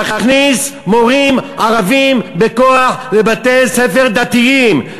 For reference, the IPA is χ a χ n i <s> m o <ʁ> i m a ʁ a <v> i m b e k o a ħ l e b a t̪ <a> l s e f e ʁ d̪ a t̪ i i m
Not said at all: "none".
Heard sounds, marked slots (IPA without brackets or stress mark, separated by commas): s, ʁ, v, e